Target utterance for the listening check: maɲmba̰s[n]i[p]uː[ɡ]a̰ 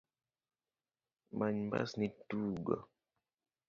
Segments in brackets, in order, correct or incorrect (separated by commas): correct, incorrect, correct